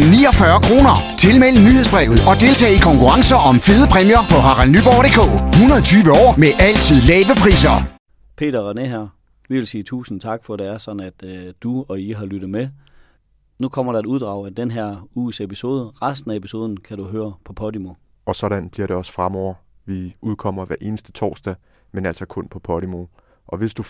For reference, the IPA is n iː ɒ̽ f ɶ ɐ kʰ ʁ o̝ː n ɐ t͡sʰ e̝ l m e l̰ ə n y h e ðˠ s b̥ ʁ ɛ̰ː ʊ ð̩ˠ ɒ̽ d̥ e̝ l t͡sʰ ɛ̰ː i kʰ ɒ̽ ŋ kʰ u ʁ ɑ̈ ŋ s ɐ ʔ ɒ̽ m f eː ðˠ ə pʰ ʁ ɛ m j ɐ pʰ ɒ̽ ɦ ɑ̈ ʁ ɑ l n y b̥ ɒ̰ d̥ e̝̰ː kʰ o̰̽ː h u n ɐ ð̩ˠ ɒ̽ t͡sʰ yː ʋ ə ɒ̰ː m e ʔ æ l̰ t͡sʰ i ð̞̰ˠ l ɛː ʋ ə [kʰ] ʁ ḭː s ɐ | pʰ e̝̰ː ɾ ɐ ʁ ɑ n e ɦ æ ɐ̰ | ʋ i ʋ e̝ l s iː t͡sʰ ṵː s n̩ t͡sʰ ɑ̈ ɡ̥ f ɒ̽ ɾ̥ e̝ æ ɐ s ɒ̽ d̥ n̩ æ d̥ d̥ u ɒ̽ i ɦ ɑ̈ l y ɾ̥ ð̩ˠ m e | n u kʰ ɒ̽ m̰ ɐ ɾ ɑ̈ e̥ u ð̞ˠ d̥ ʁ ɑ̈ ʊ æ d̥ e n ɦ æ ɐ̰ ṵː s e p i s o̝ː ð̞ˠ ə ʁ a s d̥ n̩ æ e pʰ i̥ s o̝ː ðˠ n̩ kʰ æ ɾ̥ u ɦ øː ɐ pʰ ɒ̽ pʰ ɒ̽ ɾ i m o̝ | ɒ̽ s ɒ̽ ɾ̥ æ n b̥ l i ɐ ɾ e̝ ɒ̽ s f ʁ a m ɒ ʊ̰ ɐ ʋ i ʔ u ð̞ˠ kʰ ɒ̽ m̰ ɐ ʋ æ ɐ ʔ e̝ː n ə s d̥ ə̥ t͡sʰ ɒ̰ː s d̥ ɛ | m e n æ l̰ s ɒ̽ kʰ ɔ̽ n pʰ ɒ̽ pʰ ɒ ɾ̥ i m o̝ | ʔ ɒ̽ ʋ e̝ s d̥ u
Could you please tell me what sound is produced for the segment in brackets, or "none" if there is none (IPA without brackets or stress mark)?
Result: pʰ